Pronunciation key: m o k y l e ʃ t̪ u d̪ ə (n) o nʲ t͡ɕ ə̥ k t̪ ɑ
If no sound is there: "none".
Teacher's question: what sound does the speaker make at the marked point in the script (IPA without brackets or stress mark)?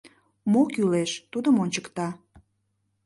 m